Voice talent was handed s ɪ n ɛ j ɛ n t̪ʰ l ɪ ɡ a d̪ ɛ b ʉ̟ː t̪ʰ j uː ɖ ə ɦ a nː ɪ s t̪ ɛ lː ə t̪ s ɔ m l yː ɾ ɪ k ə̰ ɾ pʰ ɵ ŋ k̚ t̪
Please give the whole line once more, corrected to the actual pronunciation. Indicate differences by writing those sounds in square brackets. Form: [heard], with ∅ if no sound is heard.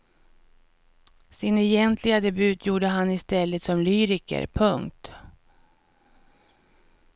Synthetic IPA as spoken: s ɪ n ɛ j ɛ n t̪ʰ l ɪ ɡ a d̪ ɛ b ʉ̟ː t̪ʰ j uː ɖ ə ɦ a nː ɪ s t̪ ɛ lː ə t̪ s ɔ m l yː ɾ ɪ k ə̰ ɾ pʰ ɵ ŋ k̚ t̪

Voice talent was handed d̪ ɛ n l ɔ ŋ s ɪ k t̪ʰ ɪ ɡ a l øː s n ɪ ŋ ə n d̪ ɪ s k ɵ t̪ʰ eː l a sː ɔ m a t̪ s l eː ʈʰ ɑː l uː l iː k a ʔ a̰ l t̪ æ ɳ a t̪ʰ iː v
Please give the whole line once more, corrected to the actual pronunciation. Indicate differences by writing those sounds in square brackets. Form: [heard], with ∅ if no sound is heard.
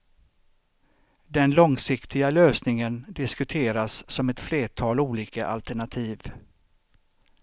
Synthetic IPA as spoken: d̪ ɛ n l ɔ ŋ s ɪ k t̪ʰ ɪ ɡ a l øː s n ɪ ŋ ə n d̪ ɪ s k ɵ t̪ʰ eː [ɾ] a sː ɔ m [ɛ] t̪ [f] l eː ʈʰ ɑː l uː l iː k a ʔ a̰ l t̪ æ ɳ a t̪ʰ iː v

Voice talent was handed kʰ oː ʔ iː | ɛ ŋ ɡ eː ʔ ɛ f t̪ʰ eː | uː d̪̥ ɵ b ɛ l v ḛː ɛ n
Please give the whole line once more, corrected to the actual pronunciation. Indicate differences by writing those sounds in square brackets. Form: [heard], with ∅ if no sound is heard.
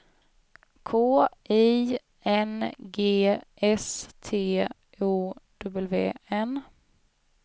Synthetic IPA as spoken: kʰ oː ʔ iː | ɛ [n] ɡ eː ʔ ɛ [s] t̪ʰ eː | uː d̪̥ ɵ b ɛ l v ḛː ɛ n

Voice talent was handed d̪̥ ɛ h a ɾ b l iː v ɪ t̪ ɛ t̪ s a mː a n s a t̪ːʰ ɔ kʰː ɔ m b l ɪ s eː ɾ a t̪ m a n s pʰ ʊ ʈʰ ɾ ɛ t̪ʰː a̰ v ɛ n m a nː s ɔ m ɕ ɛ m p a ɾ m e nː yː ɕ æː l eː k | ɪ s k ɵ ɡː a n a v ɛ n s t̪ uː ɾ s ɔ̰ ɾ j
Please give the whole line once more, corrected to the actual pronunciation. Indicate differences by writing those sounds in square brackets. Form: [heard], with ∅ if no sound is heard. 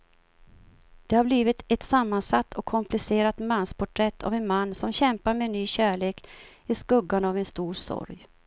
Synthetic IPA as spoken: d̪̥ ɛ h a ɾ b l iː v ɪ t̪ ɛ t̪ s a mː a n s a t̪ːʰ ɔ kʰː ɔ m [p] l ɪ s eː ɾ a t̪ m a n s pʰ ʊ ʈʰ ɾ ɛ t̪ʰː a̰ v ɛ n m a nː s ɔ m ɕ ɛ m p a ɾ m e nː yː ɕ æː [ɭ] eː k | ɪ s k ɵ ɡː a n a v ɛ n s t̪ uː ɾ s ɔ̰ ɾ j

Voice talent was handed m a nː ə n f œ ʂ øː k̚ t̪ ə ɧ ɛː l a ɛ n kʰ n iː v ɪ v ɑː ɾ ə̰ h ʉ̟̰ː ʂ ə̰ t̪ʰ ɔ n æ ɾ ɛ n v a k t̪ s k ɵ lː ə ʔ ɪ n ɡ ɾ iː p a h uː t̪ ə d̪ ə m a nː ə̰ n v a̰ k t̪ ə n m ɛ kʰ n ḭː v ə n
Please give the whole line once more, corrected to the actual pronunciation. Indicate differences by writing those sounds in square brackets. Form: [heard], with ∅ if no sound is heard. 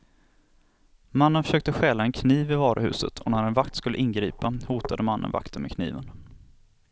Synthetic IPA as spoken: m a nː ə n f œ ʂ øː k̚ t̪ ə ɧ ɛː l a ɛ n kʰ n iː v ɪ v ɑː ɾ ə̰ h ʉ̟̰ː [s] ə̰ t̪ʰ ɔ n æ ɾ ɛ n v a k t̪ s k ɵ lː ə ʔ ɪ n ɡ ɾ iː p a h uː t̪ [a] d̪ ə m a nː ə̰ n v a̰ k t̪ ə n m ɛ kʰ n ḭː v ə n

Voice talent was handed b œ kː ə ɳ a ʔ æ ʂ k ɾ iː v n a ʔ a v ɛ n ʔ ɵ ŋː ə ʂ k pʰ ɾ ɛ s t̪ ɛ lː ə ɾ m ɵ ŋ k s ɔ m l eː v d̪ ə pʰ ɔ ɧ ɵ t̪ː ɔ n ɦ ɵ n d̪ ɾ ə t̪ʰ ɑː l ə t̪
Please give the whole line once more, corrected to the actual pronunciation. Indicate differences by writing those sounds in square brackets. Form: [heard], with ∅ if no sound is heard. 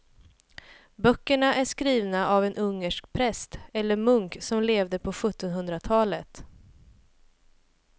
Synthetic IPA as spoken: b œ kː ə ɳ a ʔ æ ʂ k ɾ iː v n a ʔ a v ɛ n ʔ ɵ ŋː ə ʂ k pʰ ɾ ɛ s t̪ ɛ lː ə ɾ m ɵ ŋ k s ɔ m l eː v d̪ ə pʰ ɔ ɧ ɵ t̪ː ɔ n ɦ ɵ n d̪ ɾ [a] t̪ʰ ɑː l ə t̪

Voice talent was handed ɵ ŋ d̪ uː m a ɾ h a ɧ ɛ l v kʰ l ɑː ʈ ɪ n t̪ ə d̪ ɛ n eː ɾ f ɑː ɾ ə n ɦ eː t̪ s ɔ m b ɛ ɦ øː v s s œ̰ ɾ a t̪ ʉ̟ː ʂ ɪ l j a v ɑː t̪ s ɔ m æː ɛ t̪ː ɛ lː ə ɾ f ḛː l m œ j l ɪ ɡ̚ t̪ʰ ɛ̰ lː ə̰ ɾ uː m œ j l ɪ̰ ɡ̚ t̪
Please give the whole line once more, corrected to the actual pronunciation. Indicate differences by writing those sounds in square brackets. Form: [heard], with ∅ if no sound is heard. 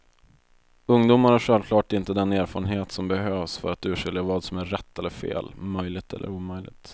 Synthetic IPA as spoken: ɵ ŋ d̪ uː m a ɾ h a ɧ ɛ l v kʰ l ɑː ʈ ɪ n t̪ ə d̪ ɛ n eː ɾ f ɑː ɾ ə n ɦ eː t̪ s ɔ m b ɛ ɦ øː v s [f] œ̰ ɾ a t̪ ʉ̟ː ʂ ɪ l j a v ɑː [d̪] s ɔ m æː ɛ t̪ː ɛ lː ə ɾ f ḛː l m œ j l ɪ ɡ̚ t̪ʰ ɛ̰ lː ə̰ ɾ uː m œ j l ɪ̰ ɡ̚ t̪

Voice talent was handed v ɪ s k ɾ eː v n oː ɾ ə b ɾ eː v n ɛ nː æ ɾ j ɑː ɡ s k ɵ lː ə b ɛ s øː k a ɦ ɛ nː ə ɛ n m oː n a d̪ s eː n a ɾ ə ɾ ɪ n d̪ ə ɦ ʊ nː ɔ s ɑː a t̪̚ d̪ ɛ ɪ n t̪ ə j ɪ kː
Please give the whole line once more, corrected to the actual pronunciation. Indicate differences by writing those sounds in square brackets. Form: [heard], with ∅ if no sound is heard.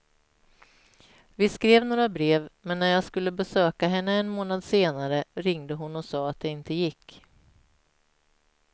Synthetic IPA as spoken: v ɪ s k ɾ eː v n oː ɾ [a] b ɾ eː v [m] ɛ nː æ ɾ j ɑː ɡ s k ɵ lː ə b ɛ s øː k a ɦ ɛ nː ə ɛ n m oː n a d̪ s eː n a ɾ ə ɾ ɪ [ŋ] d̪ ə ɦ ʊ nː ɔ s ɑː a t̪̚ d̪ ɛ ɪ n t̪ ə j ɪ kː

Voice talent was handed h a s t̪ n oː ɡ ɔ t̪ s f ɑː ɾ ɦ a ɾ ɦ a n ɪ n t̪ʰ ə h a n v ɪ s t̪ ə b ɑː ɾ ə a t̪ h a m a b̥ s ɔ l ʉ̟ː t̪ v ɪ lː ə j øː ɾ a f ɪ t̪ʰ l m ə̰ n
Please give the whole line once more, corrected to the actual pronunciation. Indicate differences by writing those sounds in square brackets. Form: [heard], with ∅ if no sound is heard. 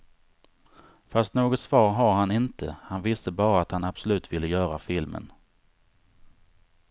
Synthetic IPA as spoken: [f] a s t̪ n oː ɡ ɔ t̪ s [v] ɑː ɾ ɦ a ɾ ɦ a n ɪ n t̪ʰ ə h a n v ɪ s t̪ ə b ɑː ɾ [a] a t̪ h a [n] a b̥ s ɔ l ʉ̟ː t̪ v ɪ lː ə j [œː] ɾ a f ɪ [∅] l m ə̰ n

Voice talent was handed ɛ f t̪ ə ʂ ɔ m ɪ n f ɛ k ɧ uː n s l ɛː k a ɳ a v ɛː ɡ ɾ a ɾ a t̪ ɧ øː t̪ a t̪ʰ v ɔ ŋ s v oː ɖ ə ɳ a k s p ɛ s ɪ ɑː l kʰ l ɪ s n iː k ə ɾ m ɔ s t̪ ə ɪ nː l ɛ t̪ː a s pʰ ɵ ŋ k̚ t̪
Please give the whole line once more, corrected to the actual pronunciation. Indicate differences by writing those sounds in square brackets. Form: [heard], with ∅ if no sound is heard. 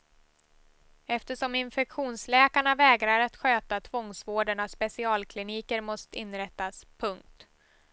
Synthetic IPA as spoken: ɛ f t̪ ə ʂ ɔ m ɪ n f ɛ k ɧ uː n s l ɛː k a ɳ a v ɛː ɡ ɾ a ɾ a t̪ ɧ øː t̪ a t̪ʰ v ɔ ŋ s v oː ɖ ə ɳ a [∅] s p ɛ s ɪ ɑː l kʰ l ɪ [∅] n iː k ə ɾ m ɔ s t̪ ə ɪ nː [ɾ] ɛ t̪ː a s pʰ ɵ ŋ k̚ t̪

